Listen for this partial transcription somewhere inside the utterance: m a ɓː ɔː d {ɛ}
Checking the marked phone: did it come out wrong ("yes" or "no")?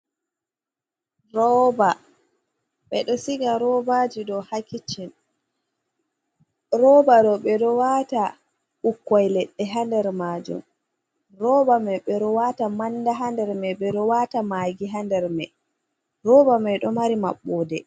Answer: no